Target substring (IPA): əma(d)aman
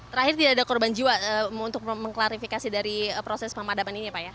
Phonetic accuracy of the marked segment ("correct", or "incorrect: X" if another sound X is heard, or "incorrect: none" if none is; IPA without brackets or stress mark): correct